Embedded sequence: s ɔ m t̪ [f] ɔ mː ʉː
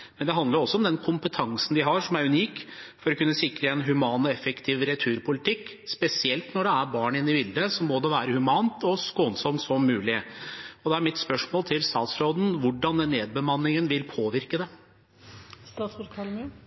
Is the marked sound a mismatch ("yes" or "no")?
yes